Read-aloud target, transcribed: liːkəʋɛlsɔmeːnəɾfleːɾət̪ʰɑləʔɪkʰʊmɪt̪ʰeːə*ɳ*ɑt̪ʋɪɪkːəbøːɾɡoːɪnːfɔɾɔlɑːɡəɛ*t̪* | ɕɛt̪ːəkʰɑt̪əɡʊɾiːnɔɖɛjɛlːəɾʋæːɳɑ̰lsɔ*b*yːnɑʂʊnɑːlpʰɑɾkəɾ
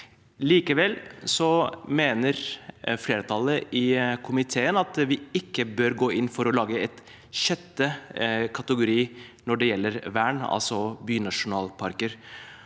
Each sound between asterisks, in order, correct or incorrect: incorrect: n, correct, correct

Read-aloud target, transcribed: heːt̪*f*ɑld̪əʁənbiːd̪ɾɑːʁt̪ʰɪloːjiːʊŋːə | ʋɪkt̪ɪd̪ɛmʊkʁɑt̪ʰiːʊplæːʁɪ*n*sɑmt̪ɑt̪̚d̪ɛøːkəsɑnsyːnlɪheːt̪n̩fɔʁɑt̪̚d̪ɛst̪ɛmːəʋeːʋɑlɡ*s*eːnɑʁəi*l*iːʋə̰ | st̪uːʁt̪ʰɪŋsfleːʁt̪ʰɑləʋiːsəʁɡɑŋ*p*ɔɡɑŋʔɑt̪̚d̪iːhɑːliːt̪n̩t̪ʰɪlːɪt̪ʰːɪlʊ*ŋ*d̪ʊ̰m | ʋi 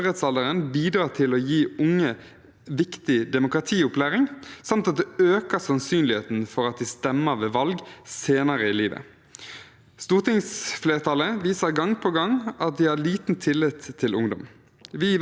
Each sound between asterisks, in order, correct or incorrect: incorrect: s, incorrect: ŋ, correct, correct, incorrect: pʰ, correct

